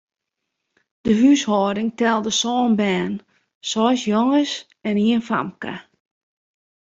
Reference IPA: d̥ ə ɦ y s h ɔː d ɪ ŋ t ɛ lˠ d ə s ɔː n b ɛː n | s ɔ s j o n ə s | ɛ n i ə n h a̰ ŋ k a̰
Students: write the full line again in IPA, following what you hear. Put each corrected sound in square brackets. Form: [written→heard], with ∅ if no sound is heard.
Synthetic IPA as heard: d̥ ə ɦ y s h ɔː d ɪ ŋ t ɛ lˠ d ə s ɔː n b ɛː n | s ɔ s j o [n→ŋ] ə s | ɛ n i ə n [h→f] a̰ [ŋ→m] k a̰